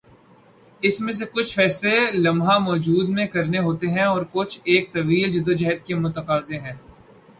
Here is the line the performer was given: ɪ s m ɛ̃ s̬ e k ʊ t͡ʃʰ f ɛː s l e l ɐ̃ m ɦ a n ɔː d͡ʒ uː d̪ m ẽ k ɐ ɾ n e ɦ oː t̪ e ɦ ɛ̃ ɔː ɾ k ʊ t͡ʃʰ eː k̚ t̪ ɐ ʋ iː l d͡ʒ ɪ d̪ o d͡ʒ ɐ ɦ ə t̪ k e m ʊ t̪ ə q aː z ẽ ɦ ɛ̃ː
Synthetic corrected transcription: ɪ s m ẽ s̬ e k ʊ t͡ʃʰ f ɛː s l e l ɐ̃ m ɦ a m ɔː d͡ʒ uː d̪ m ẽ k ɐ ɾ n e ɦ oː t̪ e ɦ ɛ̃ ɔː ɾ k ʊ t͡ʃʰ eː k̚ t̪ ɐ ʋ iː l d͡ʒ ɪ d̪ o d͡ʒ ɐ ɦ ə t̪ k e m ʊ t̪ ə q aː z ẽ ɦ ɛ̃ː